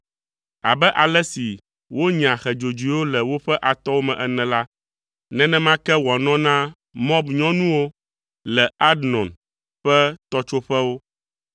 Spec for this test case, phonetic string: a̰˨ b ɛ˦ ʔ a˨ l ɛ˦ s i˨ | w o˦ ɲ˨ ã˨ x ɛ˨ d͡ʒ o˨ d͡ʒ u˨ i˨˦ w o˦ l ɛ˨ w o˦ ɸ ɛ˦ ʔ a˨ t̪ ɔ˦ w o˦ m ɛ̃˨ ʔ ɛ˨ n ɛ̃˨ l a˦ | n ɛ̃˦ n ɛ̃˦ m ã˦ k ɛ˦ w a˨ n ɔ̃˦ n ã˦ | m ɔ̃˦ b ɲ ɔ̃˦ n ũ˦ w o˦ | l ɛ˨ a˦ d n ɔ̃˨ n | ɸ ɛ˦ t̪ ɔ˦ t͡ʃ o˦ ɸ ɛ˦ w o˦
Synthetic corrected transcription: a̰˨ b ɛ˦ ʔ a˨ l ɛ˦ s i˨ | w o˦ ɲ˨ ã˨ x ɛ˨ d͡ʒ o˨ d͡ʒ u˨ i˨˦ w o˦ l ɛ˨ w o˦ ɸ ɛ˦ ʔ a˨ t̪ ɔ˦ w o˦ m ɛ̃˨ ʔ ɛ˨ n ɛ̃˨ l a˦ | n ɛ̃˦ n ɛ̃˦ m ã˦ k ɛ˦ w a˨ n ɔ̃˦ n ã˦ | m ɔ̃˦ b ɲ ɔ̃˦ n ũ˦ w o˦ | l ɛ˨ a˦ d n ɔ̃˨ n | ɸ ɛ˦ t̪ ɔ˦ t͡ʃ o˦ ɸ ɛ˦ w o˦